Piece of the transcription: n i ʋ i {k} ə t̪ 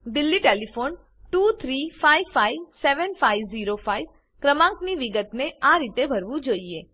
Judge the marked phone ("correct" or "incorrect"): incorrect